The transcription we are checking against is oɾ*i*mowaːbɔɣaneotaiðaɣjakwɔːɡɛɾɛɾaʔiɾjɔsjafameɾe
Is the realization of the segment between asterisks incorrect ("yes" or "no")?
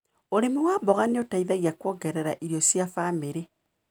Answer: yes